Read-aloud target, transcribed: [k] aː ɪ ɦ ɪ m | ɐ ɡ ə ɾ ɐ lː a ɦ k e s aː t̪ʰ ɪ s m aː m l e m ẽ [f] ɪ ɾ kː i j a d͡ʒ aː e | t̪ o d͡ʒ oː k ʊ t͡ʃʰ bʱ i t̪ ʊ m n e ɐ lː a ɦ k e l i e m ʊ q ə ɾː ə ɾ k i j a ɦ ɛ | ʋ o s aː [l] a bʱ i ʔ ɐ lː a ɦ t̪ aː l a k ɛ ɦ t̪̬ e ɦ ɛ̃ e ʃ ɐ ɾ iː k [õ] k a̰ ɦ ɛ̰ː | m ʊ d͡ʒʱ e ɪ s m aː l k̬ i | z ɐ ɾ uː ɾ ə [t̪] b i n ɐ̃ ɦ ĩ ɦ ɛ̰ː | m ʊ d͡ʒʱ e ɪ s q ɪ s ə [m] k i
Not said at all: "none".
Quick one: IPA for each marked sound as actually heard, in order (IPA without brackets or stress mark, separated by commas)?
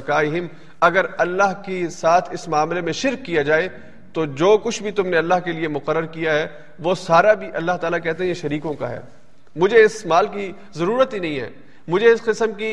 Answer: k, ʃ, ɾ, õ, t̪, m